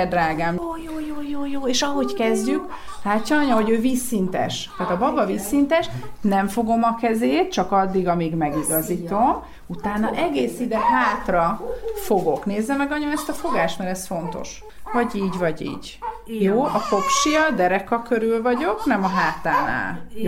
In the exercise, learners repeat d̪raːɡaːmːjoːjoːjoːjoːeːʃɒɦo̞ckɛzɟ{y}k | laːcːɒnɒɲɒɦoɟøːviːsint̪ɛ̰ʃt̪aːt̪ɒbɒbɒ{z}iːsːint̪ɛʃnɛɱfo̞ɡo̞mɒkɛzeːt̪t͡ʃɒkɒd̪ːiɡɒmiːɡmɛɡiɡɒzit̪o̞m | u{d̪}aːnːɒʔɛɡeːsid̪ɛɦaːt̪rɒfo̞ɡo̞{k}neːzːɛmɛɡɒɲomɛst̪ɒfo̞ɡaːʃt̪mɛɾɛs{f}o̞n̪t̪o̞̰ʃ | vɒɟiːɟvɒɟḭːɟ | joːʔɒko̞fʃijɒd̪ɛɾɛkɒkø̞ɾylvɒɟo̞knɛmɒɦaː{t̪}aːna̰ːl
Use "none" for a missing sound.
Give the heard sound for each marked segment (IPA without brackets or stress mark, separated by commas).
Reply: y, v, t̪, k, f, t̪